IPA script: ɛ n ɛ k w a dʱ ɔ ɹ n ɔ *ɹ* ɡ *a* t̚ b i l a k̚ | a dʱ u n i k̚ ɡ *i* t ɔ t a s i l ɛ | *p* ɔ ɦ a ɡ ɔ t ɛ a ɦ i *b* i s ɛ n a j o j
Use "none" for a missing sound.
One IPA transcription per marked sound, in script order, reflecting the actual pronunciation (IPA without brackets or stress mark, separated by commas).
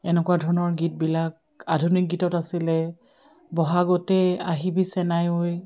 ɹ, i, i, b, b